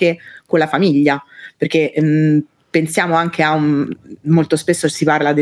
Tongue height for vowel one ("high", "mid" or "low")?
mid